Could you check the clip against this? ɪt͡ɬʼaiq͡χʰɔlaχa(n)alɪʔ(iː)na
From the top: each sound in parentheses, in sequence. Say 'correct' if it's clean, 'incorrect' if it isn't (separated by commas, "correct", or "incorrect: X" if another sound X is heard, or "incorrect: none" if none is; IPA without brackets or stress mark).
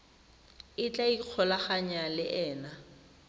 incorrect: ɲ, incorrect: ɛː